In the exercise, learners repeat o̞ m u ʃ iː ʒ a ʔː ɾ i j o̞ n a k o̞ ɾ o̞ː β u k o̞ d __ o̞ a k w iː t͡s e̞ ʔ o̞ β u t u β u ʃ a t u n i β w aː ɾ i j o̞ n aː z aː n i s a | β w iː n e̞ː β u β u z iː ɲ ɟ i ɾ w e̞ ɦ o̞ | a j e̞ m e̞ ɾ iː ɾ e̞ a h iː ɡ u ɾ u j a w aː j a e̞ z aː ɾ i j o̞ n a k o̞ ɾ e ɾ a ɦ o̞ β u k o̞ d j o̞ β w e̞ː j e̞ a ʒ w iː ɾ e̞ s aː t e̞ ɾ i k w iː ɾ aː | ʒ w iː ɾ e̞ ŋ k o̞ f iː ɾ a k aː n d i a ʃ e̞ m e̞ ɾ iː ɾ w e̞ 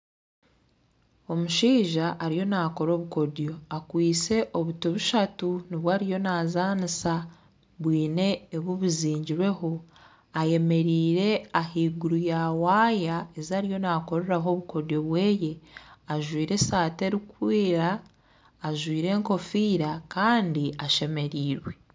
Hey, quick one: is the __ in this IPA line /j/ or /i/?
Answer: j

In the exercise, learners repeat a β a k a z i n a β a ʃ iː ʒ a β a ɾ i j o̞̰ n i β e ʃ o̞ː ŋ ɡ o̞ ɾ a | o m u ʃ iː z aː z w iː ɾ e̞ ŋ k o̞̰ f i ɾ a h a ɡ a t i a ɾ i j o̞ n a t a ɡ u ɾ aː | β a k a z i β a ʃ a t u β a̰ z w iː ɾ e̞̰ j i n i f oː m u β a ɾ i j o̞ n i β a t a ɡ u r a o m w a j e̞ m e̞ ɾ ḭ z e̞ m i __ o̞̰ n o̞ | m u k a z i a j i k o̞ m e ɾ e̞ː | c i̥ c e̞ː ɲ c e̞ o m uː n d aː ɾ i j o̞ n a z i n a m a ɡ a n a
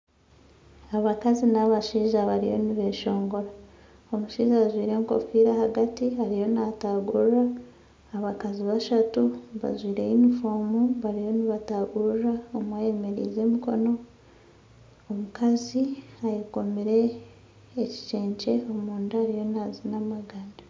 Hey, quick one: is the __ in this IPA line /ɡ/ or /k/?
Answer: k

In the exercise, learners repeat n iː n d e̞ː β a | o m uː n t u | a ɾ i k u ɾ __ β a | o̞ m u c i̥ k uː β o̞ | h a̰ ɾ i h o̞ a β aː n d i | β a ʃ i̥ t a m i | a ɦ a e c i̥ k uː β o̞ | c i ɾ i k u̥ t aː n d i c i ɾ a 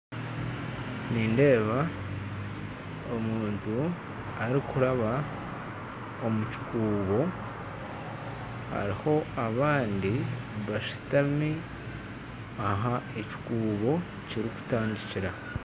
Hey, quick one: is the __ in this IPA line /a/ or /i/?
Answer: a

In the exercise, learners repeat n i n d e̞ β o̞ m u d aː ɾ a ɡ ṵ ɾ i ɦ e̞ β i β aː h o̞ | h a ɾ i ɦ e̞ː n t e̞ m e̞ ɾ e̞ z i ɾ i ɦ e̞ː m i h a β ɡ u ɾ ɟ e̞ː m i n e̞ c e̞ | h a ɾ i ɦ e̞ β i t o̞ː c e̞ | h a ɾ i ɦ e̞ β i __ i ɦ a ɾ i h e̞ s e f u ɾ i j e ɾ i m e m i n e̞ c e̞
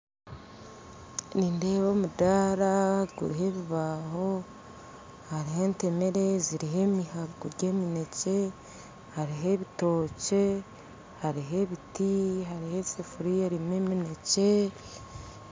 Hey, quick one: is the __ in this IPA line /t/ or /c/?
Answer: t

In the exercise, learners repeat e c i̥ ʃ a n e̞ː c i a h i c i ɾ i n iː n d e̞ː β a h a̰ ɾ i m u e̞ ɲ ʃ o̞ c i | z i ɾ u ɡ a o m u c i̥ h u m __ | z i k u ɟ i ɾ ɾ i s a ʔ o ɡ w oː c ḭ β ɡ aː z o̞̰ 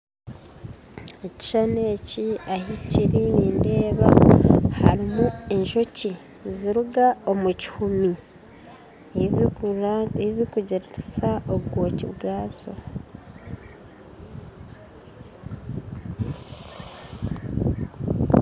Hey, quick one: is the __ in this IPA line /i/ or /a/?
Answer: i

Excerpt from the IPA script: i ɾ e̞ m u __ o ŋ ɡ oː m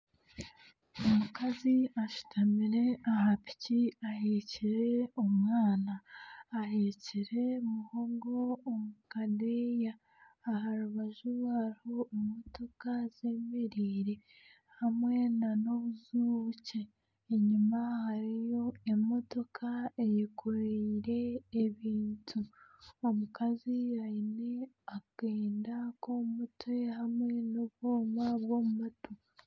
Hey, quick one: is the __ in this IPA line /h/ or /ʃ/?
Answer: h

